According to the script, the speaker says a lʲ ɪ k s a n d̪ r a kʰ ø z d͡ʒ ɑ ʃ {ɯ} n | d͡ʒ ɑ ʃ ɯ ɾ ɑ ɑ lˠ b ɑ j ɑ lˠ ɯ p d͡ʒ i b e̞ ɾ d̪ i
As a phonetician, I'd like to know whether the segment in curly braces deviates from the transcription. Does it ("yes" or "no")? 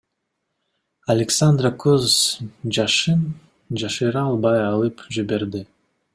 no